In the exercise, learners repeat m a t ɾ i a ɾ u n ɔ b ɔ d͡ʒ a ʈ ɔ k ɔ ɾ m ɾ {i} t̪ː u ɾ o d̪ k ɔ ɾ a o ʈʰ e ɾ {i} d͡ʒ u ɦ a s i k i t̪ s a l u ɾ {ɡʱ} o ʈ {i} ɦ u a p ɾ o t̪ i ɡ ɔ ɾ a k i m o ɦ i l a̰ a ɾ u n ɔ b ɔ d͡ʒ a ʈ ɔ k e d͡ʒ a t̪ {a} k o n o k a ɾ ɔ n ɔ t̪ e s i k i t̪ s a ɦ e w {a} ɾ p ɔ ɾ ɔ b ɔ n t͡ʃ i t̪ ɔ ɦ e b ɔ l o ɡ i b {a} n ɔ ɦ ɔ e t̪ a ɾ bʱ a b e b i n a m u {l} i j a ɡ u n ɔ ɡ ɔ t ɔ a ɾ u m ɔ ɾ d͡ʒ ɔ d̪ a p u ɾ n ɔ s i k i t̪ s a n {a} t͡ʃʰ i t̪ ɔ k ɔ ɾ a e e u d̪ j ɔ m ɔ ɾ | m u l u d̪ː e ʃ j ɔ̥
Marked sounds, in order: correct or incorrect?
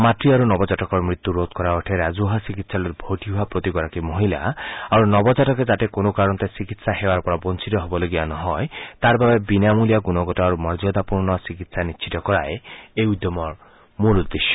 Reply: correct, incorrect: a, incorrect: bʱ, correct, incorrect: e, correct, correct, correct, incorrect: i

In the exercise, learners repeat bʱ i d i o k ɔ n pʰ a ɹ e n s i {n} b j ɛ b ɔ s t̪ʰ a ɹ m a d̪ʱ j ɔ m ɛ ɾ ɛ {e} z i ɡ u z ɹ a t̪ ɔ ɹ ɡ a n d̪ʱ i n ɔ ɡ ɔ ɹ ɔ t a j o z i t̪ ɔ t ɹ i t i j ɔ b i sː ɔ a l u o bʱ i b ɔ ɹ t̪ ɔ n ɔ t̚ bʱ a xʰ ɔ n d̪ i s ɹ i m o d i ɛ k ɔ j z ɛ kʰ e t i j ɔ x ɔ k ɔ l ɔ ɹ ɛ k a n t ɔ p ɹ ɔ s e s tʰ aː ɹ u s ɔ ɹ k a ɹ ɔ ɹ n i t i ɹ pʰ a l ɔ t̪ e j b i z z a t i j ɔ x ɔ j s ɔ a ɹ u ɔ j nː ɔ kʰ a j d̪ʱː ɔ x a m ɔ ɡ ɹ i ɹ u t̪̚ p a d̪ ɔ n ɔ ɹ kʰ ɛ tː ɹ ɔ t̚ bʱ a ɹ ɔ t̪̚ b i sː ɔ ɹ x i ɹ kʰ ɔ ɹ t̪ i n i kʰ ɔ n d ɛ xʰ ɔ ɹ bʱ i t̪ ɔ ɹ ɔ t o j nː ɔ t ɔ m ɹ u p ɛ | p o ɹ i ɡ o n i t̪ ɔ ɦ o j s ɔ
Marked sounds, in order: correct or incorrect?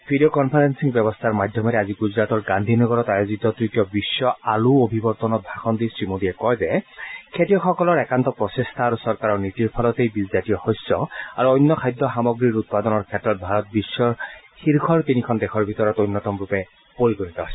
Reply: incorrect: ŋ, incorrect: a

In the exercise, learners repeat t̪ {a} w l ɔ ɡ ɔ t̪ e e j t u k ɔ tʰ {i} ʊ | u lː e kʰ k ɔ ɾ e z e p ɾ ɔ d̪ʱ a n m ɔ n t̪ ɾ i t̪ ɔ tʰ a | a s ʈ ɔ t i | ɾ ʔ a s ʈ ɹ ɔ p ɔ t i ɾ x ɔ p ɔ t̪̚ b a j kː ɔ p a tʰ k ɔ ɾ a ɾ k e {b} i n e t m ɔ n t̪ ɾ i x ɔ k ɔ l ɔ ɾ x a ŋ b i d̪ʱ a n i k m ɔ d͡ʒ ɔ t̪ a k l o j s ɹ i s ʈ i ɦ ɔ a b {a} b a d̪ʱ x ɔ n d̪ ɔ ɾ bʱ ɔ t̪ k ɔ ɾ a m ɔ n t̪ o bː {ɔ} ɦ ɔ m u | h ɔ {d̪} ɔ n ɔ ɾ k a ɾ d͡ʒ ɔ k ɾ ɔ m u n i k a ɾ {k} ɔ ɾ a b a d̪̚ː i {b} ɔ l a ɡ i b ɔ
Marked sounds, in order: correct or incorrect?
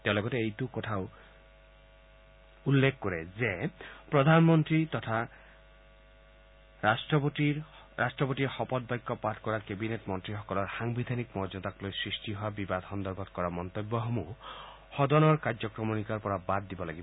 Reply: incorrect: e, incorrect: a, correct, incorrect: i, correct, correct, incorrect: p, correct

